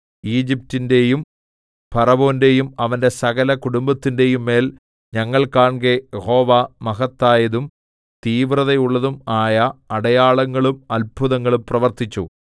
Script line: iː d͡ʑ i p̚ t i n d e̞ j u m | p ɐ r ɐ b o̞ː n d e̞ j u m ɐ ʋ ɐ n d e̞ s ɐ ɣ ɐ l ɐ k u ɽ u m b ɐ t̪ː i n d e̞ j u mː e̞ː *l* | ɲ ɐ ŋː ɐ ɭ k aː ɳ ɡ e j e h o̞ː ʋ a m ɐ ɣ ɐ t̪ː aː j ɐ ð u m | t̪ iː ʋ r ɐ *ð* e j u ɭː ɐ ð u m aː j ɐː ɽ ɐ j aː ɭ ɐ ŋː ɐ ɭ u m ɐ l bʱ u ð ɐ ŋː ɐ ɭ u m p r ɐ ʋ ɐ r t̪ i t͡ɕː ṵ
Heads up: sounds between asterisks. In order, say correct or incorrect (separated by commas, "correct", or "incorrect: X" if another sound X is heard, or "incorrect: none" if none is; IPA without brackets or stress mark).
correct, correct